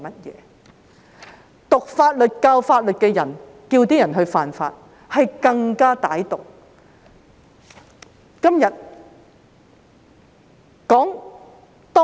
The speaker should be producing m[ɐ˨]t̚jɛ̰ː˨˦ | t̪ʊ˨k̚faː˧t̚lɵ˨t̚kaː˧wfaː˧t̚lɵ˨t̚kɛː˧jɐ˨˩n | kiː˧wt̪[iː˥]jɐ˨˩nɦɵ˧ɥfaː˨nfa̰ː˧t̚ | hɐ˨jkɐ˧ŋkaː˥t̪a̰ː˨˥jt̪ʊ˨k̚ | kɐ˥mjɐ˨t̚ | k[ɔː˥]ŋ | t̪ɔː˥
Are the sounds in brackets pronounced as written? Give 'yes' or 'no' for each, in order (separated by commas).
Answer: no, yes, no